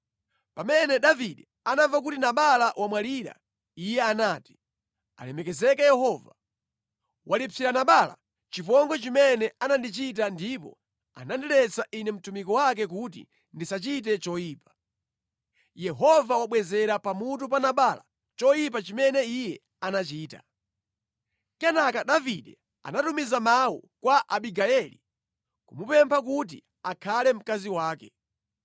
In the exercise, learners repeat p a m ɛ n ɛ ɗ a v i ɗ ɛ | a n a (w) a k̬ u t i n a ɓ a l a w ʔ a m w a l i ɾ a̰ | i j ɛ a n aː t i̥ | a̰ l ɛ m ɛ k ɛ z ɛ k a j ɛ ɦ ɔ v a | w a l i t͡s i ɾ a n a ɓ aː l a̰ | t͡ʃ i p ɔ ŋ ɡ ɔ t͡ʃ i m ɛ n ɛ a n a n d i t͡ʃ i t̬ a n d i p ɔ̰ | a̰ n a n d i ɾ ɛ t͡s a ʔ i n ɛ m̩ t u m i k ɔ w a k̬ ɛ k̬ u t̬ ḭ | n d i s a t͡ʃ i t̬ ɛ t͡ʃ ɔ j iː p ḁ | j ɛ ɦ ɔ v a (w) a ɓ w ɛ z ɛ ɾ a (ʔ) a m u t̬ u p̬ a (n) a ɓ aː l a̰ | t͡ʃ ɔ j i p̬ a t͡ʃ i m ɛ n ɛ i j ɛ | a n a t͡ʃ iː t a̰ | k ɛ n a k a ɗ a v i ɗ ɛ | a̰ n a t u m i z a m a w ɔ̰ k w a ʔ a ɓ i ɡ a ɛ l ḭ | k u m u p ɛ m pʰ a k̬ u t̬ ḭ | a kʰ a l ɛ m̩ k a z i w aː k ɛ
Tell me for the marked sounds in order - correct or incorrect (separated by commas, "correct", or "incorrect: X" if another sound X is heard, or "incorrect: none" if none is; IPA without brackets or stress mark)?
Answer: incorrect: v, correct, incorrect: p, correct